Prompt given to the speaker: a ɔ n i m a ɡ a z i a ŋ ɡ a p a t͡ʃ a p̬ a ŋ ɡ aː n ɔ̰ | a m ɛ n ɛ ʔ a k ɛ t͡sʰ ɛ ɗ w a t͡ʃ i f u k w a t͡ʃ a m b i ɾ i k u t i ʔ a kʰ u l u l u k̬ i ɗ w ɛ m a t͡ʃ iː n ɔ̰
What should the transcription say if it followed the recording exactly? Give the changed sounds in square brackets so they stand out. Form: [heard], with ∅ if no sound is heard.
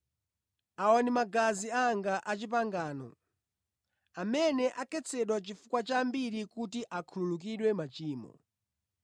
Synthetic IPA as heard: a ɔ n i m a ɡ a z i a ŋ ɡ a [ʔ] a t͡ʃ [i] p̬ a ŋ ɡ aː n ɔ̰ | a m ɛ n ɛ ʔ a k ɛ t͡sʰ ɛ ɗ w a t͡ʃ i f u k w a t͡ʃ a m b i ɾ i k u t i ʔ a kʰ u l u l u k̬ i ɗ w ɛ m a t͡ʃ iː [m] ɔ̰

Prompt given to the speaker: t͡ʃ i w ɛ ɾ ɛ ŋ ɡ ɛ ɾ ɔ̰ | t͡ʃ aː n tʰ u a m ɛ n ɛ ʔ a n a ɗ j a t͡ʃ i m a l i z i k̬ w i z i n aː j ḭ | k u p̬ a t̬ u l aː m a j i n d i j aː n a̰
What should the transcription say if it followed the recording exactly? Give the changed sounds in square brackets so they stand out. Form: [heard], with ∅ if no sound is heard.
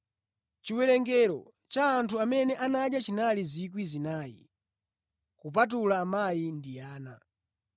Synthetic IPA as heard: t͡ʃ i w ɛ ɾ ɛ ŋ ɡ ɛ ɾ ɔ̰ | t͡ʃ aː n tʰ u a m ɛ n ɛ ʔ a n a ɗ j a t͡ʃ i [n] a l i z i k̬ w i z i n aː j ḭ | k u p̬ a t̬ u l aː m a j i n d i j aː n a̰

